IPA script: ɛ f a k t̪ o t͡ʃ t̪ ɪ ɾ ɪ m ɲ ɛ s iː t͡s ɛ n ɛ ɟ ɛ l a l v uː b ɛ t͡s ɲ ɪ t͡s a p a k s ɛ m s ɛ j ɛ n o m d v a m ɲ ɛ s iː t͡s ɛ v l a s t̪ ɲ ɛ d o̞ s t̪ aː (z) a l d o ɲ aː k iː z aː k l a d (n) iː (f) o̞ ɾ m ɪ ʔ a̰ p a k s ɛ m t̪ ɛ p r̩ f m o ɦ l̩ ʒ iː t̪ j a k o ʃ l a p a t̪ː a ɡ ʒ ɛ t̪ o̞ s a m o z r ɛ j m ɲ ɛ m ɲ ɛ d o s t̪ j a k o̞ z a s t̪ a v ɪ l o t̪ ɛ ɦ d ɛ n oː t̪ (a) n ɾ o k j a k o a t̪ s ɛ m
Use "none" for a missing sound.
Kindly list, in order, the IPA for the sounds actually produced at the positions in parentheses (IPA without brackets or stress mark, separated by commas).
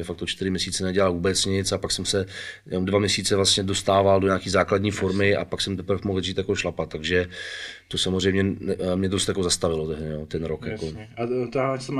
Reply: v, ɲ, f, ɛ